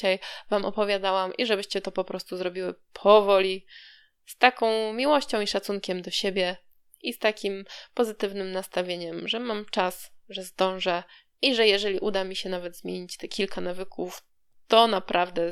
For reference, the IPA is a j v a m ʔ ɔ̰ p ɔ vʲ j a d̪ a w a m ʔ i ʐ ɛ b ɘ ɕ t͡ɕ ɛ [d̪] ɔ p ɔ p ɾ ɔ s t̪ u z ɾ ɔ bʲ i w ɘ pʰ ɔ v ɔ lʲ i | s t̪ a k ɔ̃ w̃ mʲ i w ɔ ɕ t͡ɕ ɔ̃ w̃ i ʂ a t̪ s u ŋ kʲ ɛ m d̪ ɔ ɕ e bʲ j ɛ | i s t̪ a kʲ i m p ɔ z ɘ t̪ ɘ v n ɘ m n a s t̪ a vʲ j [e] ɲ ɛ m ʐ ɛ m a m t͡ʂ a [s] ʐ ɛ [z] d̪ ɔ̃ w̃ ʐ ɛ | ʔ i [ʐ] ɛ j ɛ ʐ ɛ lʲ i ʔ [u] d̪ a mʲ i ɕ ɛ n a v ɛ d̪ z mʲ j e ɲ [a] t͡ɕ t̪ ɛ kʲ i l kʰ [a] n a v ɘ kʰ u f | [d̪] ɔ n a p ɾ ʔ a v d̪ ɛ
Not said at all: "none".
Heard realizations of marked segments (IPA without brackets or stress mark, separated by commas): t̪, e, s, z, ʐ, u, i, a, t̪